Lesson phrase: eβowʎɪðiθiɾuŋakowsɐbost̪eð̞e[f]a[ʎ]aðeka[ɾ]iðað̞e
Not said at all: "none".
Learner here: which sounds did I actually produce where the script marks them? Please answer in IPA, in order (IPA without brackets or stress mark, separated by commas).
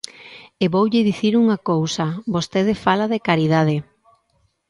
f, l, ɾ